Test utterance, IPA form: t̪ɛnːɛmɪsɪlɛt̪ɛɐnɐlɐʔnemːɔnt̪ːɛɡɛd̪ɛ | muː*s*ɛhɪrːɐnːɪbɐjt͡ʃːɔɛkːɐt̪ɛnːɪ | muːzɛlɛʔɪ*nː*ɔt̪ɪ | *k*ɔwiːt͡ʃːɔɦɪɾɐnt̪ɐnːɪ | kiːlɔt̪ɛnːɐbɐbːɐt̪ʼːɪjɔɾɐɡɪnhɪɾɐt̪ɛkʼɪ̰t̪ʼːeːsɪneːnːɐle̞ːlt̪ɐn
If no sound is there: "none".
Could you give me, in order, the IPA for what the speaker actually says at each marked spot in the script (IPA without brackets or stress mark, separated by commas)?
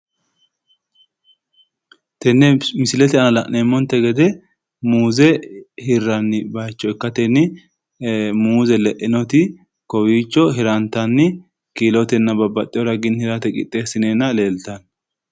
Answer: z, n, k